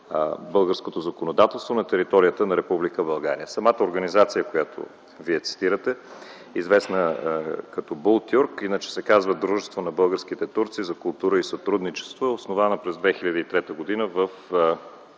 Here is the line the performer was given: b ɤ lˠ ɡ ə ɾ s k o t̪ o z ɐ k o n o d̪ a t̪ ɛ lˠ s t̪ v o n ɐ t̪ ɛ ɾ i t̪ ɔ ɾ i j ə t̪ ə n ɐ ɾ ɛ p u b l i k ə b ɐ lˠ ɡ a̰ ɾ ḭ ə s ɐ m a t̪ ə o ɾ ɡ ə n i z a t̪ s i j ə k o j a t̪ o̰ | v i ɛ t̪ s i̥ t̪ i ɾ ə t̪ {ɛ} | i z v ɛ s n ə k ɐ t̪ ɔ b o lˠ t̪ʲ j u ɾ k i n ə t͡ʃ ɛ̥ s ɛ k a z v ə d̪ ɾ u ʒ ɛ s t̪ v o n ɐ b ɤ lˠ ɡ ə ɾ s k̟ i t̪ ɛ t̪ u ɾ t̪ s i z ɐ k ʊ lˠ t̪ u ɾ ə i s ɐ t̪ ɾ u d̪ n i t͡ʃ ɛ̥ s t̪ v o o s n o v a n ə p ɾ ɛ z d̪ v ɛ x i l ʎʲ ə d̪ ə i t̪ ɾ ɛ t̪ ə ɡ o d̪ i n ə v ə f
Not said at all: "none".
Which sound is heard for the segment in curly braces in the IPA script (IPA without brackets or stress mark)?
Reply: ɛ